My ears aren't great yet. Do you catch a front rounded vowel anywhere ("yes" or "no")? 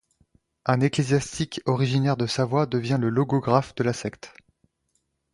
no